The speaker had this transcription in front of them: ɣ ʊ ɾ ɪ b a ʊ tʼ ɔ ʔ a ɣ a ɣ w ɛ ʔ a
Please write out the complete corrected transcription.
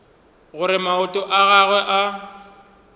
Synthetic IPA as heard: ɣ ʊ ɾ ɪ m a ʊ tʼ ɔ ʔ a ɣ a ɣ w ɛ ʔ a